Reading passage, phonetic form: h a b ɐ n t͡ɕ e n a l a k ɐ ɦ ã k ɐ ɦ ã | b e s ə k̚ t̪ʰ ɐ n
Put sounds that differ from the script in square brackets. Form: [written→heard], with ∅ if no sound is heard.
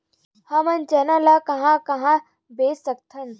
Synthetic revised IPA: h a [b→m] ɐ n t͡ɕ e n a l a k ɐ ɦ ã k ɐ ɦ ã | b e s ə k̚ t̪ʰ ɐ n

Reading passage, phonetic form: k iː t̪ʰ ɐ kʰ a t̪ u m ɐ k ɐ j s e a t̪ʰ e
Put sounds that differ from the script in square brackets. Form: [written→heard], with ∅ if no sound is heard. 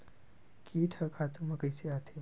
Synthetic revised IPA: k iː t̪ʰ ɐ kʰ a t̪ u m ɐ k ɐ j s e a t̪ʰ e

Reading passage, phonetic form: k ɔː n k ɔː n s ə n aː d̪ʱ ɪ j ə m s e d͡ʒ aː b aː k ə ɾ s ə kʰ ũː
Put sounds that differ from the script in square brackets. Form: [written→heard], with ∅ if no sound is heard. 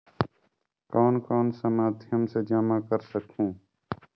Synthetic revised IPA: k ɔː n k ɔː n s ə [n→m] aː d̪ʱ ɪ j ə m s e d͡ʒ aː [b→m] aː k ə ɾ s ə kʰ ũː

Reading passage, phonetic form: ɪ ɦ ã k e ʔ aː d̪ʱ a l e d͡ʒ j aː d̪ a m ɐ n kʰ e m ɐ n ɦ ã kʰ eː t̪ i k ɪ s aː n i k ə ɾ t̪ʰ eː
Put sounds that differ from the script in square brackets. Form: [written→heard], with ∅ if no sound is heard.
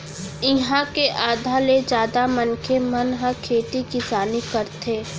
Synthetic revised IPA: ɪ ɦ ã k e ʔ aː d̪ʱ a l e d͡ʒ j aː d̪ a m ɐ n kʰ e m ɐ n ɦ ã kʰ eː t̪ i k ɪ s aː n i k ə ɾ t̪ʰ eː

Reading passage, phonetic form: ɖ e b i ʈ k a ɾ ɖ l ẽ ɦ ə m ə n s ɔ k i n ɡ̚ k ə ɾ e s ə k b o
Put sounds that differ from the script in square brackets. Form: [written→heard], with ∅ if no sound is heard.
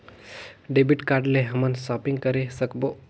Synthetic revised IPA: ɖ e b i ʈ k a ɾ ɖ l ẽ ɦ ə m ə n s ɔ [k→p] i [n→ŋ] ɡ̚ k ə ɾ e s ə k b o

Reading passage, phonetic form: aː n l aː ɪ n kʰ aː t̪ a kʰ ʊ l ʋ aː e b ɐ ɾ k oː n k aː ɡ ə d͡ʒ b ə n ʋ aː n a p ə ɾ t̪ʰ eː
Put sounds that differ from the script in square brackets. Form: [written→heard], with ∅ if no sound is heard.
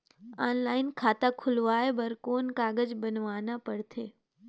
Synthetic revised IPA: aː n l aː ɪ n kʰ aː t̪ a kʰ ʊ l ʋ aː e b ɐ ɾ k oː n k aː ɡ ə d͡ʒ b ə n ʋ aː n a p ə [ɾ→ɽ] t̪ʰ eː

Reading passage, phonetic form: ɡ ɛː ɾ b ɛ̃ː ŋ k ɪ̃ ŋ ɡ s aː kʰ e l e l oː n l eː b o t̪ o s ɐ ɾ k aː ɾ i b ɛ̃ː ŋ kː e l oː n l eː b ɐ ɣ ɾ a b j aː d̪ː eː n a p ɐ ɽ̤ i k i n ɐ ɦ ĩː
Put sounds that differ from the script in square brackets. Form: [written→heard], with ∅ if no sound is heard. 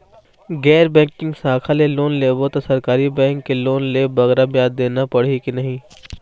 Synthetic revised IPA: ɡ ɛː ɾ b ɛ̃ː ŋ k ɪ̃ ŋ ɡ s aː kʰ [e→a] l e l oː n l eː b o t̪ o s ɐ ɾ k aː ɾ i b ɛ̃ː ŋ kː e l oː n l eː b ɐ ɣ ɾ a b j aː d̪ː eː n a p ɐ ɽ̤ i k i n ɐ ɦ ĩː

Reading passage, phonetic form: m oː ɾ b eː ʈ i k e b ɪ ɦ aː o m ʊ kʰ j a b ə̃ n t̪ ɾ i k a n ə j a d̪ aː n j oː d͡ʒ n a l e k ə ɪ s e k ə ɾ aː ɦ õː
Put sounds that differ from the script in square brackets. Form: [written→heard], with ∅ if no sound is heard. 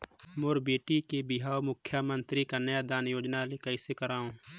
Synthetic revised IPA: m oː ɾ b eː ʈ i k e b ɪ ɦ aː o m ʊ kʰ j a [b→m] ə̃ n t̪ ɾ i k a n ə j a d̪ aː n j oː d͡ʒ n a l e k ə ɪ s e k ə ɾ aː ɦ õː

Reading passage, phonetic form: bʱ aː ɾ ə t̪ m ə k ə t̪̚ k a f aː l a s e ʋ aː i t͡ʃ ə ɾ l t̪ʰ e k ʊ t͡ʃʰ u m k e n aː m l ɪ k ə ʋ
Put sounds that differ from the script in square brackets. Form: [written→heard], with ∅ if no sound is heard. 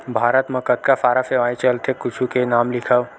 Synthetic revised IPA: bʱ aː ɾ ə t̪ m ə k ə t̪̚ k a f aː [l→ɾ] a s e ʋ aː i t͡ʃ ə [ɾ→∅] l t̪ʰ e k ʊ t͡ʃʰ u [m→∅] k e n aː m l ɪ [k→kʰ] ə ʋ

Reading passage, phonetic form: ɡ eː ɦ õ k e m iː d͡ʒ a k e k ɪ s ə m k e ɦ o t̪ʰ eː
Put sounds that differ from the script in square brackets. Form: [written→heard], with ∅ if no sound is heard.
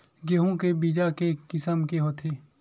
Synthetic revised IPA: ɡ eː ɦ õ k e [m→b] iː d͡ʒ a k e k ɪ s ə m k e ɦ o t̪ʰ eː

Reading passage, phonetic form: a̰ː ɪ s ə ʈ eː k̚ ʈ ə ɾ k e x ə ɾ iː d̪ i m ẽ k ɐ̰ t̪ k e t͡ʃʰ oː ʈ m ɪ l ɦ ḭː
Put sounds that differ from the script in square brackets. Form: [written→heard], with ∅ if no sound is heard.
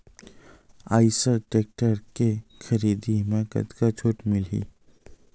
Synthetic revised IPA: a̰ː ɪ s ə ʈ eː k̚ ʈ ə ɾ k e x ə ɾ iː d̪ i m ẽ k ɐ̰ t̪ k [e→a] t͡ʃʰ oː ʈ m ɪ l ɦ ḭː

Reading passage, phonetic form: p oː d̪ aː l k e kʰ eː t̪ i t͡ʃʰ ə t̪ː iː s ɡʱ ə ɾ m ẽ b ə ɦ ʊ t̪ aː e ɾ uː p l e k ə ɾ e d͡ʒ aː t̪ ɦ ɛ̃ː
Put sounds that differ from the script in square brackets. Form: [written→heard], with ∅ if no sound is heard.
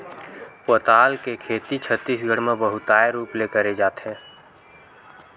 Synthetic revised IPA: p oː [d̪→t̪] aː l k e kʰ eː t̪ i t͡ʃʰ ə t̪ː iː s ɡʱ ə [ɾ→ɽ] m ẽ b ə ɦ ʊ t̪ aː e ɾ uː p l e k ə ɾ e d͡ʒ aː t̪ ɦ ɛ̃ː

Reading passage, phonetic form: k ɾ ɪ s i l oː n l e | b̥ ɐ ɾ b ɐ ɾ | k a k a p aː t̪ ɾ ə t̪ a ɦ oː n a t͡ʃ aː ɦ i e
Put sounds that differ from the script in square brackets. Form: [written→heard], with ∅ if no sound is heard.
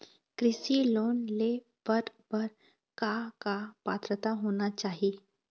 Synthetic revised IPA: k ɾ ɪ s i l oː n l e | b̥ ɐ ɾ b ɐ ɾ | k a k a p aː t̪ ɾ ə t̪ a ɦ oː n a t͡ʃ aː ɦ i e

